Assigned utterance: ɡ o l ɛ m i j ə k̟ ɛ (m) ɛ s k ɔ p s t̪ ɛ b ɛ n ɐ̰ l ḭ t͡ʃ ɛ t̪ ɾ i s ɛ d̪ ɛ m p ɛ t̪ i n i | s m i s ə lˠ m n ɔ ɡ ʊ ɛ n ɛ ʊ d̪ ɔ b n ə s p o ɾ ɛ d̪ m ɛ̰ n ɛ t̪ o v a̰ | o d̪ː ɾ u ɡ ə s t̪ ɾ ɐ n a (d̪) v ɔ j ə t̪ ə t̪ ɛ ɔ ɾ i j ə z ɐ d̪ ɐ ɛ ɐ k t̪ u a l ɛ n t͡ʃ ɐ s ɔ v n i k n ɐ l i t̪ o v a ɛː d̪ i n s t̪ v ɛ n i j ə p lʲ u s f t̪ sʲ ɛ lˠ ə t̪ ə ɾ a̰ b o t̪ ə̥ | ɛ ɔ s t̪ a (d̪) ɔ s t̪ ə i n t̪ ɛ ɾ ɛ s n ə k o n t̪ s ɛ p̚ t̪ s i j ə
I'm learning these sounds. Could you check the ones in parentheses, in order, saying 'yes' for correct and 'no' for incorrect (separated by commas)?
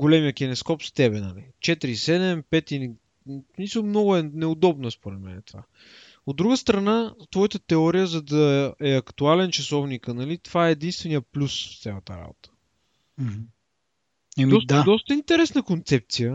no, no, yes